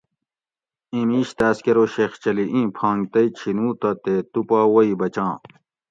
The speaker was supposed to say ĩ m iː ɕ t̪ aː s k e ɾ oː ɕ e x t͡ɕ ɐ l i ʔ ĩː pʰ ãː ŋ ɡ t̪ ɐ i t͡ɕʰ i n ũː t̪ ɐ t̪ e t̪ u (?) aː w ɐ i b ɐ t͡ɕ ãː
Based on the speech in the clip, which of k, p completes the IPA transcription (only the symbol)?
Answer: p